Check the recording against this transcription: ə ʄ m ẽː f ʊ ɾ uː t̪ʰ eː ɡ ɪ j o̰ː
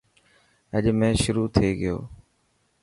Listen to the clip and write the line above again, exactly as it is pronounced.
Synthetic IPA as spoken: ə ʄ m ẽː ʃ ʊ ɾ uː t̪ʰ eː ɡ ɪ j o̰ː